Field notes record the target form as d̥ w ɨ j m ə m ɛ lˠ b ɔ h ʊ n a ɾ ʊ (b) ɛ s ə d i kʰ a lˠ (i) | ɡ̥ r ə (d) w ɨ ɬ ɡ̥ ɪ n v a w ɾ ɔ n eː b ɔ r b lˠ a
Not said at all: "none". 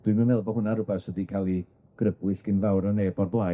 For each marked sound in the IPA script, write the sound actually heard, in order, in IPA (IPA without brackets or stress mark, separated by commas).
b, i, b